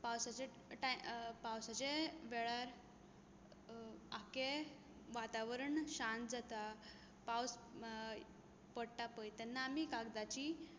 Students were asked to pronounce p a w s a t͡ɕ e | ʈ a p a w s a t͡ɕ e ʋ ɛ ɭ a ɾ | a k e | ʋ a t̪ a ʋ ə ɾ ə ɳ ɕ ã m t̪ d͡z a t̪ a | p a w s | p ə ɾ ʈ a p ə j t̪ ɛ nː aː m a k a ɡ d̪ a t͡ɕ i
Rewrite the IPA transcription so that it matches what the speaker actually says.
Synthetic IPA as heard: p a w s a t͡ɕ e | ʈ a p a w s a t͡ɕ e ʋ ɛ ɭ a ɾ | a k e | ʋ a t̪ a ʋ ə ɾ ə ɳ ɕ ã n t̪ d͡z a t̪ a | p a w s | p ə ɽ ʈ a p ə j t̪ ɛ nː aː m i k a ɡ d̪ a t͡ɕ i